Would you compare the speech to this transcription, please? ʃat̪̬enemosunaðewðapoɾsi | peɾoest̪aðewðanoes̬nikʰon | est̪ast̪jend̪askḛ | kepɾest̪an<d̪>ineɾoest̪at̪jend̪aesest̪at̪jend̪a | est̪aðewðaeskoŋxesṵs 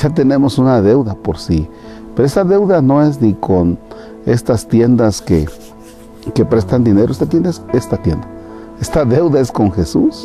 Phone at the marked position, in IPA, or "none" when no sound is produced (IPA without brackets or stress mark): d̪